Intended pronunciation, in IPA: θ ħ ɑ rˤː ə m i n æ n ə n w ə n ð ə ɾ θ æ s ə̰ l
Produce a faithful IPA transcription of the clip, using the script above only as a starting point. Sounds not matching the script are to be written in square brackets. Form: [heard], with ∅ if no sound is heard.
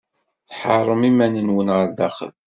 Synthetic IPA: θ ħ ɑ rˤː ə m i [m] æ n ə n w ə n [ʁ] ə ɾ [ð] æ [χ] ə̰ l